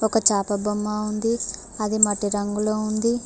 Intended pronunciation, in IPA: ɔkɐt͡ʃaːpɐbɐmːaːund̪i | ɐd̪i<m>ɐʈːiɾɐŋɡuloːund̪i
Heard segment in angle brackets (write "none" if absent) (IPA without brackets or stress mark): m